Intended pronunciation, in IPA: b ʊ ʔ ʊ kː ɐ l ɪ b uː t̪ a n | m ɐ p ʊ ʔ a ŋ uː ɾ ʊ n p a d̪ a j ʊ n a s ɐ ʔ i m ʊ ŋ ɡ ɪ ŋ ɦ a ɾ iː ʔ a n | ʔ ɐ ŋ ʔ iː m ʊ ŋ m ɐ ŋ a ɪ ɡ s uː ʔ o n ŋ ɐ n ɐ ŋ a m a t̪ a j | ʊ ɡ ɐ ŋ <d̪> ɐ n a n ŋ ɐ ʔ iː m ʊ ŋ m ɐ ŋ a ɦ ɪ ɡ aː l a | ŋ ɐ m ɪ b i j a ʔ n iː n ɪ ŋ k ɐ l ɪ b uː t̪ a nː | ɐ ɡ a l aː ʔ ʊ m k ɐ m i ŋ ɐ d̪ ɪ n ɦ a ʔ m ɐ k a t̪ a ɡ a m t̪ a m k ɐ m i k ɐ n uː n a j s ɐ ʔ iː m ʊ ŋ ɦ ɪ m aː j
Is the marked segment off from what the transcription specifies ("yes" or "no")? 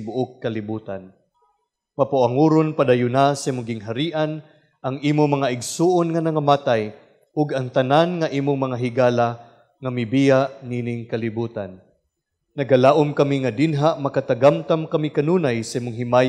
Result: yes